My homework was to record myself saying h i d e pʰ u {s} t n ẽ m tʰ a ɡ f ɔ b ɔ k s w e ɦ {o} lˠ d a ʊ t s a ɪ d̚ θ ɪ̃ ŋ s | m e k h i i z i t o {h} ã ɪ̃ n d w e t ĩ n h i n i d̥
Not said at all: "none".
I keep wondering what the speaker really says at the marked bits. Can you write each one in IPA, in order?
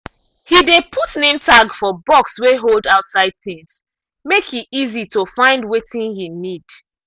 none, o, f

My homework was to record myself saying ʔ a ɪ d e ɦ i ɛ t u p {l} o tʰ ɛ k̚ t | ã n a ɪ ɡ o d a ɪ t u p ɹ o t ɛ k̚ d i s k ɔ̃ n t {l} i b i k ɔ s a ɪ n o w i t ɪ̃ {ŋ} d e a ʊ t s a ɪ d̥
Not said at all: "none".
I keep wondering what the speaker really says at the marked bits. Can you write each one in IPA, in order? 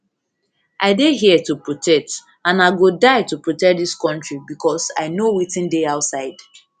ɹ, ɹ, n

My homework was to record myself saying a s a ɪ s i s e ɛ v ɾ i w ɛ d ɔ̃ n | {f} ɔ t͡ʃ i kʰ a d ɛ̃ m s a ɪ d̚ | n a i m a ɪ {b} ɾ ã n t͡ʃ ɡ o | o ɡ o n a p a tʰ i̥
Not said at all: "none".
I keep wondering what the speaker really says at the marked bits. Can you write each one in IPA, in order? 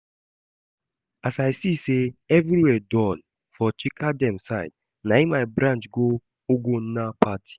f, b

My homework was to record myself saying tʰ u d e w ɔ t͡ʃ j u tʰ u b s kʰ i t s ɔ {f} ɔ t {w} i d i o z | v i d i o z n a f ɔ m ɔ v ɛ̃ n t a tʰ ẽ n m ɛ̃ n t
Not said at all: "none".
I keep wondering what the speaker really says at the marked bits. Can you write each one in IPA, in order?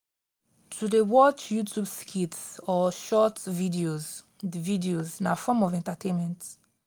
ʃ, v

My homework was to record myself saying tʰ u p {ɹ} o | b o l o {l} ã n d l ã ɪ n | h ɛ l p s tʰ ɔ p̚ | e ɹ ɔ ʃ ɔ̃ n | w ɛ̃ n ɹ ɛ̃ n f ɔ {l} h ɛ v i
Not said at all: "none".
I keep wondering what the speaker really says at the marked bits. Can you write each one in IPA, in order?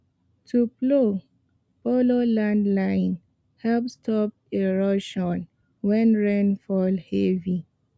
l, l, l

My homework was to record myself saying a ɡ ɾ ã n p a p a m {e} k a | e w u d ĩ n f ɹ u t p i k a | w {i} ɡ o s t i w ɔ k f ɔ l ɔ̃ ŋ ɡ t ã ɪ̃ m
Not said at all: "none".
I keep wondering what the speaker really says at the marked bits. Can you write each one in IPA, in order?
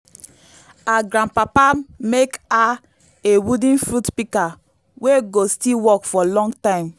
e, e

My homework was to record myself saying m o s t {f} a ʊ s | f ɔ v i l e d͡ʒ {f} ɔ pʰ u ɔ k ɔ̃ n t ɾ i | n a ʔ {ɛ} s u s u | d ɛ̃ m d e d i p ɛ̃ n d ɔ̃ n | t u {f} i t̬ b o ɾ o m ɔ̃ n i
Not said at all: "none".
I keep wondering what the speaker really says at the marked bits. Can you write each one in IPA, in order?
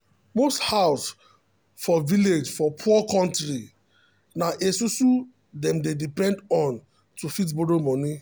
h, f, e, f

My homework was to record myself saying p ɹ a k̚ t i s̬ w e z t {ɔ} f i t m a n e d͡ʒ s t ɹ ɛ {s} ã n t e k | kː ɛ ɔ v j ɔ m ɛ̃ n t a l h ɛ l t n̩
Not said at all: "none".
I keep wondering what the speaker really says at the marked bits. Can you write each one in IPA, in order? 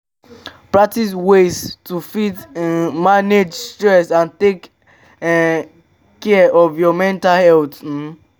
u, s

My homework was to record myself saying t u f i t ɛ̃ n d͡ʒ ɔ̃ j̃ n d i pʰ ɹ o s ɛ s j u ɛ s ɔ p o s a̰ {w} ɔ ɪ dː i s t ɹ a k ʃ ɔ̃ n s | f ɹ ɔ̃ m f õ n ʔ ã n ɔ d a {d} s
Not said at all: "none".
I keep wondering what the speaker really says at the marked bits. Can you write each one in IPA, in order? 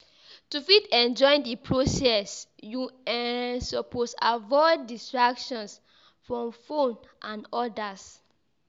v, none

